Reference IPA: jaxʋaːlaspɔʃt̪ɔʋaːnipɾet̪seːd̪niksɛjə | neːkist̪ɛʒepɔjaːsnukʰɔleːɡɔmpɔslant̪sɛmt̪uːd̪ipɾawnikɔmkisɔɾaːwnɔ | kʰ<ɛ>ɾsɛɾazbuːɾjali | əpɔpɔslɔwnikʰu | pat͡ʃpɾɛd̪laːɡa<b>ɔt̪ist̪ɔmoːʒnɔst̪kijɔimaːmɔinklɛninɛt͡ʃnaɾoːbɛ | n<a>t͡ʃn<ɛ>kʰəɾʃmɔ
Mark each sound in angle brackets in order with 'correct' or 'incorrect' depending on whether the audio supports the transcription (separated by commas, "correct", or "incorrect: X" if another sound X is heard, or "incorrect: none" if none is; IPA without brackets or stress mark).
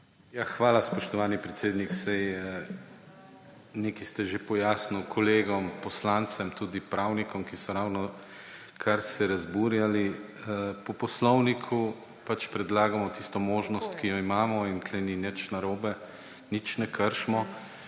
incorrect: a, incorrect: m, incorrect: i, correct